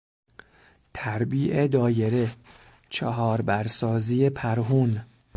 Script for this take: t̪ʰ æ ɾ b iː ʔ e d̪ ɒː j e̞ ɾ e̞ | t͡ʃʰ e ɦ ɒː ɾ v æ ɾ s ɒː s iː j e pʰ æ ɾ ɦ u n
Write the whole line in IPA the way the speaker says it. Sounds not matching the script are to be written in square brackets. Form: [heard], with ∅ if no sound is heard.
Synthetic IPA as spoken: t̪ʰ æ ɾ b iː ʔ e d̪ ɒː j e̞ ɾ e̞ | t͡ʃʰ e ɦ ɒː ɾ [b] æ ɾ s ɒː [z] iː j e pʰ æ ɾ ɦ u n